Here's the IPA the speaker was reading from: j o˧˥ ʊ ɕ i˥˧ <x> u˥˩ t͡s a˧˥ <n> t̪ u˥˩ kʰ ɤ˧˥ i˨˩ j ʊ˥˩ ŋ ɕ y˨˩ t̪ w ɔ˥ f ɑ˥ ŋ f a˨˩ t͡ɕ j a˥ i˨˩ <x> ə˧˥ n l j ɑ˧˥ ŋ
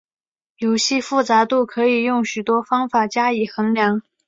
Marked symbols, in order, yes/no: no, no, yes

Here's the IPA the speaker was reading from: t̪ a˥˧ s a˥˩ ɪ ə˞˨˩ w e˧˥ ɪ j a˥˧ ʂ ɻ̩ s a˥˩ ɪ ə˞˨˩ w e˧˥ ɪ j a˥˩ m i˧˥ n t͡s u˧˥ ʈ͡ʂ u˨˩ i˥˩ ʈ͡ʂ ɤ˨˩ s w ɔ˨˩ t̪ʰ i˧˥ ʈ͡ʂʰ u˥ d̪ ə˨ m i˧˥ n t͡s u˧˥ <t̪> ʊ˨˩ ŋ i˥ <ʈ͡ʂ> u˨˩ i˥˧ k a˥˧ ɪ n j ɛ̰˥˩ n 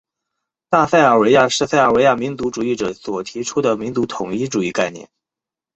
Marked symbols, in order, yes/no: no, yes

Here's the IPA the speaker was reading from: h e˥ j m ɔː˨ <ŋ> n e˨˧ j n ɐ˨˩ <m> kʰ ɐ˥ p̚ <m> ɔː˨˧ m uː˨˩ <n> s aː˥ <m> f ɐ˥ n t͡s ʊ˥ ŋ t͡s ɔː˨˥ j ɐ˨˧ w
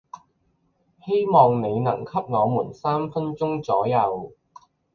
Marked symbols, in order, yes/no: yes, no, no, yes, yes

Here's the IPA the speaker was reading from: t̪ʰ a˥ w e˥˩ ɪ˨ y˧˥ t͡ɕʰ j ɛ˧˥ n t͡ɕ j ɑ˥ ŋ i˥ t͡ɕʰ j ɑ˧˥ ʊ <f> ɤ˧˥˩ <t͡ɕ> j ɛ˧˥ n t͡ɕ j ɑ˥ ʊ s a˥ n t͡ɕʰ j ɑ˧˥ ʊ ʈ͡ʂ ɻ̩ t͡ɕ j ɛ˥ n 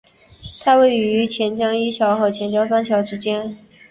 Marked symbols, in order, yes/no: no, no

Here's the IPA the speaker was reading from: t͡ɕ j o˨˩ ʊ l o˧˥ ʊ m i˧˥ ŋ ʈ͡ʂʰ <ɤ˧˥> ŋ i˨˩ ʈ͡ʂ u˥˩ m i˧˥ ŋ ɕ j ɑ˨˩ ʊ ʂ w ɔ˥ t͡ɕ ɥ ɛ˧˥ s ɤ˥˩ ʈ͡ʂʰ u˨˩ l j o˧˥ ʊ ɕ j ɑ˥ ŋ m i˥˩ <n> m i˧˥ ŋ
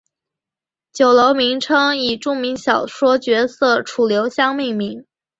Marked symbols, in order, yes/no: no, no

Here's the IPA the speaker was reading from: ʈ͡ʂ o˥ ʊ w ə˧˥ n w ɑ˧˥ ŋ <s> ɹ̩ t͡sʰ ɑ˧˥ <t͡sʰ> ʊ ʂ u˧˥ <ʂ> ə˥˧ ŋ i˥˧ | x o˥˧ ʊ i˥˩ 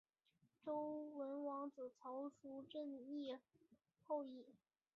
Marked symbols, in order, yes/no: no, no, no

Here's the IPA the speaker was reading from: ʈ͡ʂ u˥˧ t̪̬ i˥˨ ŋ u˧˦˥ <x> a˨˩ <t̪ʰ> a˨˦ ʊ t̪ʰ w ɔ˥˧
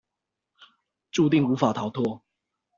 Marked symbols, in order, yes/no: no, yes

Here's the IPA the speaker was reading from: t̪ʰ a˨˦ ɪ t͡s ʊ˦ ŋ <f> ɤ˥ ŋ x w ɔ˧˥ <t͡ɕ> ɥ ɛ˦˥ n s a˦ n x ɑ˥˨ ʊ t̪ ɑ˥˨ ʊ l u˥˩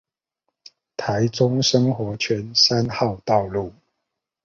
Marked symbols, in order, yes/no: no, no

